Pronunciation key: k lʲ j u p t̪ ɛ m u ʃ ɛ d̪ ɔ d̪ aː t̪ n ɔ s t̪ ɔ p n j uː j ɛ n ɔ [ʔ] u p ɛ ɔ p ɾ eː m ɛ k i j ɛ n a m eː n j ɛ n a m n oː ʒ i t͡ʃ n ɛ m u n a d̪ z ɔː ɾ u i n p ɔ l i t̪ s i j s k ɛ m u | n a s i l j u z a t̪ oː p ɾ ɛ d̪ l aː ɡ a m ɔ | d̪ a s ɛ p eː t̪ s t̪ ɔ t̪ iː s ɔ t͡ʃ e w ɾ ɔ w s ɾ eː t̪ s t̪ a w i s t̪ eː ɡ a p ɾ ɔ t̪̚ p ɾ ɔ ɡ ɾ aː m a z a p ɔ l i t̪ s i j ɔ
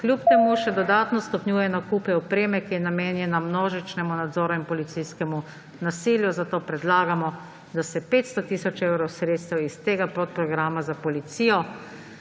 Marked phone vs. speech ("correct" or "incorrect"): incorrect